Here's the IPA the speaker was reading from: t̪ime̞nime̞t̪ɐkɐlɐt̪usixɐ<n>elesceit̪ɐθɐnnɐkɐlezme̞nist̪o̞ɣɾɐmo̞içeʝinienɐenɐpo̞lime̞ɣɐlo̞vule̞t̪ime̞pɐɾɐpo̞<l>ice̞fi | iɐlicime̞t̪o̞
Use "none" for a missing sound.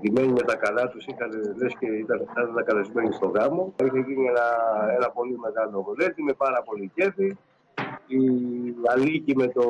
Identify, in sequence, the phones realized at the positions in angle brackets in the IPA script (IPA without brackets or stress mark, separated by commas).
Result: n, l